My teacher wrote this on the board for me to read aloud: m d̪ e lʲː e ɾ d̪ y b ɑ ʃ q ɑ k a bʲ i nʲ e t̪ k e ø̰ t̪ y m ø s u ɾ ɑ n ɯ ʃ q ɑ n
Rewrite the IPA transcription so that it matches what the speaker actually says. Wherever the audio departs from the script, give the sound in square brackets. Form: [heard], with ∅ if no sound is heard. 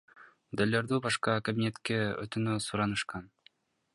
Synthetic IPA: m d̪ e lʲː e ɾ d̪ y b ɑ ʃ q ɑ k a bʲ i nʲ e t̪ k e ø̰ t̪ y [n] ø s u ɾ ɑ n ɯ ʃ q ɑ n